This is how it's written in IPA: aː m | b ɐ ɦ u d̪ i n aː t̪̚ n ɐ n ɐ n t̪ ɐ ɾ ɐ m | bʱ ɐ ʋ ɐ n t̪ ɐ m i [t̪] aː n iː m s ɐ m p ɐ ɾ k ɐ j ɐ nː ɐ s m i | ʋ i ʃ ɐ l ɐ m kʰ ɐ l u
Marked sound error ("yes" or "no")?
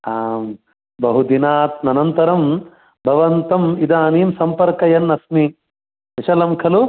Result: yes